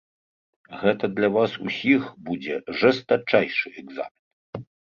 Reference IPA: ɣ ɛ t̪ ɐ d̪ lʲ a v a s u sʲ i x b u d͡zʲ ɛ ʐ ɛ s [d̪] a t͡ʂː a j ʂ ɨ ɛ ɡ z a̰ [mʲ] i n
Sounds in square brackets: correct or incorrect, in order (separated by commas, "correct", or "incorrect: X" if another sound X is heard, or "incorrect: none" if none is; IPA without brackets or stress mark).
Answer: incorrect: t̪, correct